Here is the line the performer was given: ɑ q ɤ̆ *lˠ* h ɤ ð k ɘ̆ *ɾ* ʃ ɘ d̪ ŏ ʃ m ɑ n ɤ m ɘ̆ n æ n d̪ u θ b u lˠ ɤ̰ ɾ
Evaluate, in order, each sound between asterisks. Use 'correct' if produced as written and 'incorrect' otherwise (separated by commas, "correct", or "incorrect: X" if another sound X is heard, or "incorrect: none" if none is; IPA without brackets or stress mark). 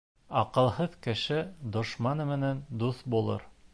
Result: correct, incorrect: none